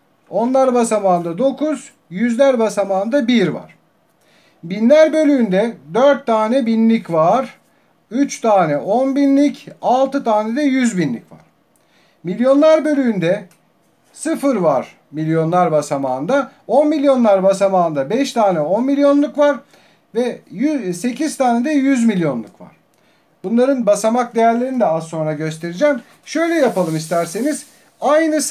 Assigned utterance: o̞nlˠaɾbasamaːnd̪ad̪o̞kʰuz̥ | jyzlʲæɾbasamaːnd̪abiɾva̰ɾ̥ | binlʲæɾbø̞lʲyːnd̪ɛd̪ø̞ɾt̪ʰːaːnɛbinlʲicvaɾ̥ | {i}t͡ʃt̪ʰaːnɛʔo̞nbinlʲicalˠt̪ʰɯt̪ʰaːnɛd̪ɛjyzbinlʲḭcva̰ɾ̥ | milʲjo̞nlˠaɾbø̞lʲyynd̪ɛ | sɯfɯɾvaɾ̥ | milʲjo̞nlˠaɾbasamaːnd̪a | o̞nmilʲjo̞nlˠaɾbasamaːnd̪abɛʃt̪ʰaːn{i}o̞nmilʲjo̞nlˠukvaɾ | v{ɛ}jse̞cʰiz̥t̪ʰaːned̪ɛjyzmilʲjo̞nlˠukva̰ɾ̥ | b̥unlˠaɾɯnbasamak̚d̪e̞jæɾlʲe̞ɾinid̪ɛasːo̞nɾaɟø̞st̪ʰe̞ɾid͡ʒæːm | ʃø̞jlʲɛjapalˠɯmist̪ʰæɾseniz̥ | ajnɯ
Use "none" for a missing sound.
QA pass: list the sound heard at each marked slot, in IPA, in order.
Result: y, ɛ, ɛ

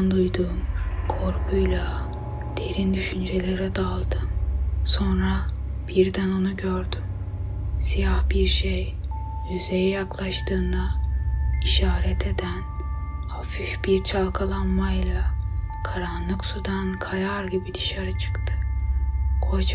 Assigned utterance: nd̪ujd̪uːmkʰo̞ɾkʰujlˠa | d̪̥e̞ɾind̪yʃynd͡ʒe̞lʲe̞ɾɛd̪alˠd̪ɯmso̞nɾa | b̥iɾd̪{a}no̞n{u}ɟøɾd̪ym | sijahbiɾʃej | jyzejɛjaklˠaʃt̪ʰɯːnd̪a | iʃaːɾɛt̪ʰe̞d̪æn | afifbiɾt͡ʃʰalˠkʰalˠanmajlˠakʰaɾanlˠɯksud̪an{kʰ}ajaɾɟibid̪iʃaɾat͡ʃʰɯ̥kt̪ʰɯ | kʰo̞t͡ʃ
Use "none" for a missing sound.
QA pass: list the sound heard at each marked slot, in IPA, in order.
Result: æ, u, kʰ

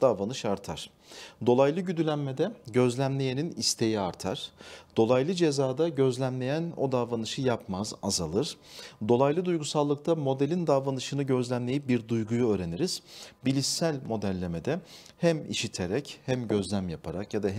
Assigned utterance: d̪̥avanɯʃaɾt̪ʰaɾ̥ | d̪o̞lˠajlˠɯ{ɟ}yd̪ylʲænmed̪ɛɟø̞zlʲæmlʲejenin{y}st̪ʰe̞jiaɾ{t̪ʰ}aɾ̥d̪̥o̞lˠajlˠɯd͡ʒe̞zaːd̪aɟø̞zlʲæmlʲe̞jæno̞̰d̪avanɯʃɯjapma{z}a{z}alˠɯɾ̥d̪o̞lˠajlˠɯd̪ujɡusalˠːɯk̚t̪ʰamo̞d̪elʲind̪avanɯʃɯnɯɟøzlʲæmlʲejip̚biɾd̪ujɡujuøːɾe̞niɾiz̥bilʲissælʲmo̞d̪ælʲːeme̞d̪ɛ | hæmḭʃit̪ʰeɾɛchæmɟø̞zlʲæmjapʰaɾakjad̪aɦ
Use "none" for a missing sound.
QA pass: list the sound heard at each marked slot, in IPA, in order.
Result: ɟ, i, t̪ʰ, z, z

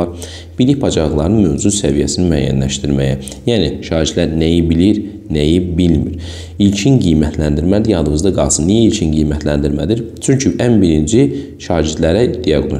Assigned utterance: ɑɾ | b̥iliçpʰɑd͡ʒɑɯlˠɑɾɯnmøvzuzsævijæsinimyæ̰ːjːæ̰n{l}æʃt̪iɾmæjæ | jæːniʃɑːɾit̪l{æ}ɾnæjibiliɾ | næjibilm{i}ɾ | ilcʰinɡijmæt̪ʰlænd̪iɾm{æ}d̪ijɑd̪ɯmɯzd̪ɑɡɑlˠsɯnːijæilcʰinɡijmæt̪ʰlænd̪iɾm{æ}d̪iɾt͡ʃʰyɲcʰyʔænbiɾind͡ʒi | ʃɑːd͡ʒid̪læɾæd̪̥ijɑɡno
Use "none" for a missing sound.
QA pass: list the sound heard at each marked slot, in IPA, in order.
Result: l, æ, i, æ, æ

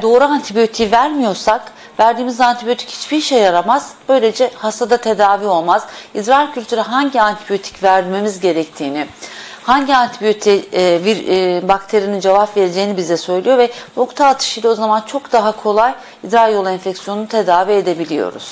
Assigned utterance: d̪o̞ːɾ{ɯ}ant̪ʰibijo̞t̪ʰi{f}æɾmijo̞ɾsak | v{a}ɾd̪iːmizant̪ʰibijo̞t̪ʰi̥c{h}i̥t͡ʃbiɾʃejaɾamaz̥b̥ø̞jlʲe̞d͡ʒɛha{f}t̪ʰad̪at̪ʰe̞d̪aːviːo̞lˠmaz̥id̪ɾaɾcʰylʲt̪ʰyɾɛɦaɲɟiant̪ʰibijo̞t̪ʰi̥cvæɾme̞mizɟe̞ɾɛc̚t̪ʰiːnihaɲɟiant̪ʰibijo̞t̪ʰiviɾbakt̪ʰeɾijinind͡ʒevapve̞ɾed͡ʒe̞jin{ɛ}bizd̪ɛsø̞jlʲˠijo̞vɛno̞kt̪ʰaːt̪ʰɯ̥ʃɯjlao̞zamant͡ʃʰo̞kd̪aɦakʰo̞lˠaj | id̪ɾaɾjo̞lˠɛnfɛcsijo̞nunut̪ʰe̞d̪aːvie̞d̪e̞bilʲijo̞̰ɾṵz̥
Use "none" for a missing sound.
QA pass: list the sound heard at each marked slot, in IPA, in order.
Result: u, v, æ, h, s, i

